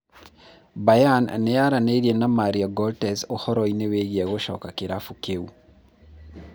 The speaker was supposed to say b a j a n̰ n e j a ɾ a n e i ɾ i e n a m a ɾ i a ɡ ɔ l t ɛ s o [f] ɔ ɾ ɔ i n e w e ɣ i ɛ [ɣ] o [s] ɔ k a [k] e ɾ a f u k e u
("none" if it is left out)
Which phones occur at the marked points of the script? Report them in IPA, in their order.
h, ɣ, ʃ, k

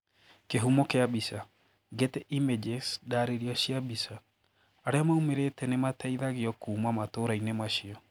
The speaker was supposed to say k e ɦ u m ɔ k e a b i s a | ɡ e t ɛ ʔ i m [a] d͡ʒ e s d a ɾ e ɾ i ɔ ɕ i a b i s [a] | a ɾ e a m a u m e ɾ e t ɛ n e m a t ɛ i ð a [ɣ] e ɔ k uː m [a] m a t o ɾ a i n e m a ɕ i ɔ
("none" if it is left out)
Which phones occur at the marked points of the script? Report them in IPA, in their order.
e, a, ɣ, a

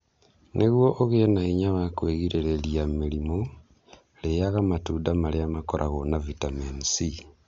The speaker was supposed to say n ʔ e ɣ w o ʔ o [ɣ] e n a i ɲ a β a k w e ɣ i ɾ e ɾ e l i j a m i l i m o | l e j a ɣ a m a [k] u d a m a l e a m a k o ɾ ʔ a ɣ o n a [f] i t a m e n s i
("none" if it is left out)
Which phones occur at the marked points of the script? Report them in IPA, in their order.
ɣ, t, v

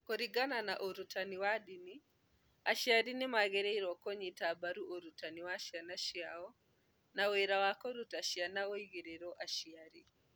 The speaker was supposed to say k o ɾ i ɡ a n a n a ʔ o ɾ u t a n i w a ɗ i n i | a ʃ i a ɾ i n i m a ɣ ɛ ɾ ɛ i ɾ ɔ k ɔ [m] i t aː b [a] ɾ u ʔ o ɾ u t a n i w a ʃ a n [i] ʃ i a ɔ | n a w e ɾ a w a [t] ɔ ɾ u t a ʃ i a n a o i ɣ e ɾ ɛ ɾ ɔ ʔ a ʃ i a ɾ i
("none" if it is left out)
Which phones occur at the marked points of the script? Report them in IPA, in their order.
ɲ, a, a, k

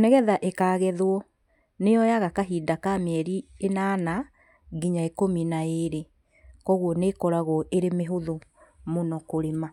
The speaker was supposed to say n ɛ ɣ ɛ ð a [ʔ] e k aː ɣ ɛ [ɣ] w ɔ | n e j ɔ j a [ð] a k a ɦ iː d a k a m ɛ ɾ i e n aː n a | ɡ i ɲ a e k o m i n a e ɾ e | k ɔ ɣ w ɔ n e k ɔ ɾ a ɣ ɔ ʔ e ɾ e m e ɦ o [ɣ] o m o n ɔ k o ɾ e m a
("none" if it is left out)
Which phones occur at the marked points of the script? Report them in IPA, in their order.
ʔ, ð, ɣ, ð

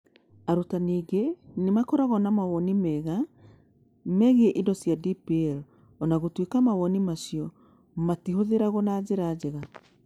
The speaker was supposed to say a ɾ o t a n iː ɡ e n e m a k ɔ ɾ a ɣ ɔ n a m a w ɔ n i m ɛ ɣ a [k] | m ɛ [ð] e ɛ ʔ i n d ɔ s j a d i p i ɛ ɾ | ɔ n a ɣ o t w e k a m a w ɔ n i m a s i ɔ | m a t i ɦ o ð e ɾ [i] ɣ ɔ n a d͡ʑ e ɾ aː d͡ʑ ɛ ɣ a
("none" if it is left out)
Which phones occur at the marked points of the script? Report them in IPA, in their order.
none, ɣ, a

